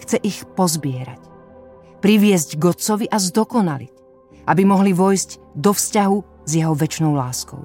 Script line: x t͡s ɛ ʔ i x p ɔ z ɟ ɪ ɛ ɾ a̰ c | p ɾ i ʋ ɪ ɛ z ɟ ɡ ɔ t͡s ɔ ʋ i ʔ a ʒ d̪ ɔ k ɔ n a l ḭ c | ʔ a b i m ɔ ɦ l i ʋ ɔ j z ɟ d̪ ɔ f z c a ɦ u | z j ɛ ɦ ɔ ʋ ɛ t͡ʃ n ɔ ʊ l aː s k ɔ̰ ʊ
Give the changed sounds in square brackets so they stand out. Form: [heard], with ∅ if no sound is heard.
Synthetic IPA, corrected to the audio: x t͡s ɛ ʔ i x p ɔ z [b] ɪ ɛ ɾ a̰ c | p ɾ i ʋ ɪ ɛ z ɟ ɡ ɔ t͡s ɔ ʋ i ʔ a [z] d̪ ɔ k ɔ n a l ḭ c | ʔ a b i m ɔ ɦ l i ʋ ɔ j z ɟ d̪ ɔ f [s] c a ɦ u | z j ɛ ɦ ɔ ʋ ɛ t͡ʃ n ɔ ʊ l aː s k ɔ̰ ʊ